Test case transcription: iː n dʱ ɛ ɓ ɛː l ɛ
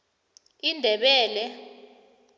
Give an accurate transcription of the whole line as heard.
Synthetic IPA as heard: i n dʱ ɛ ɓ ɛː l ɛ